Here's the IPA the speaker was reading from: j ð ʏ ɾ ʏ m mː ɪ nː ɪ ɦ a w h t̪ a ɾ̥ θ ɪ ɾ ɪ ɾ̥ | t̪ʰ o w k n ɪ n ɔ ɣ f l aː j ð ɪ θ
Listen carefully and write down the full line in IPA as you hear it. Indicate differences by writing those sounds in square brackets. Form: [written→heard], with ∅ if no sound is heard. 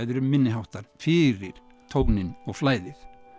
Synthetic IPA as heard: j ð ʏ ɾ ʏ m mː ɪ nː ɪ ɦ a w h t̪ a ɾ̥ [θ→f] ɪ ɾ ɪ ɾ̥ | t̪ʰ o w k n ɪ n ɔ ɣ f l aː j ð ɪ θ